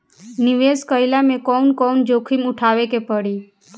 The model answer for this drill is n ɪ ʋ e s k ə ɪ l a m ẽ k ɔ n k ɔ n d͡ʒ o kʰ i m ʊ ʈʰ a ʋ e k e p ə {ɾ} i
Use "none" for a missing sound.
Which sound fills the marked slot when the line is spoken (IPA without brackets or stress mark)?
ɽ